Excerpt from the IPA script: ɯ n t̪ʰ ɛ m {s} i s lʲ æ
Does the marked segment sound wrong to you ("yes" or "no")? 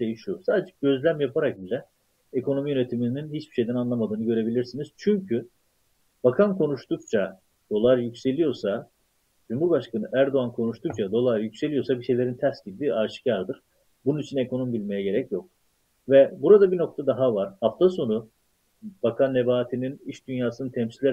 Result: no